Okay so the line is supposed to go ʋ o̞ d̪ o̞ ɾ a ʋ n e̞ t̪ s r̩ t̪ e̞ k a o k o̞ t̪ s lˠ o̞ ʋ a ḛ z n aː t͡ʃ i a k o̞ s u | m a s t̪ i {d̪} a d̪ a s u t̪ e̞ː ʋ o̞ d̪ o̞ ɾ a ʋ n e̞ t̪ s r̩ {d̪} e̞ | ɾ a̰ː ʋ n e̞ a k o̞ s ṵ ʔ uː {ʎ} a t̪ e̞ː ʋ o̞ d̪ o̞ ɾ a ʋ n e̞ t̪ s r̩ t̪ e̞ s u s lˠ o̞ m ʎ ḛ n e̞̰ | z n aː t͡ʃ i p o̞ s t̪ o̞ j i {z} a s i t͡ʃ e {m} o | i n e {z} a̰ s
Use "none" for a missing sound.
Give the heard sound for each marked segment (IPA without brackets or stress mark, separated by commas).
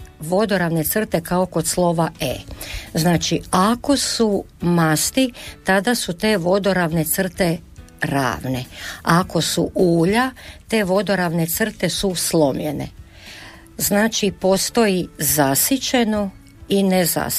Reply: t̪, t̪, ʎ, z, n, z